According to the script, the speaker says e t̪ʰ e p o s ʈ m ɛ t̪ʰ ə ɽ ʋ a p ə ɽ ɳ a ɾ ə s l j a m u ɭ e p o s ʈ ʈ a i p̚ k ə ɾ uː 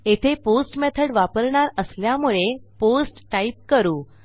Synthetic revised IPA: e t̪ʰ e p o s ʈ m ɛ t̪ʰ ə ɽ ʋ a p ə ɾ ɳ a ɾ ə s l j a m u ɭ e p o s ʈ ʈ a i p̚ k ə ɾ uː